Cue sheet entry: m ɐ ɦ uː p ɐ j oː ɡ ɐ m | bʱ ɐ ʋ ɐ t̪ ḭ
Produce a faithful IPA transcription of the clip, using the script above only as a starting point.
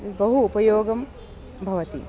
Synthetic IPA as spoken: b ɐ ɦ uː p ɐ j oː ɡ ɐ m | bʱ ɐ ʋ ɐ t̪ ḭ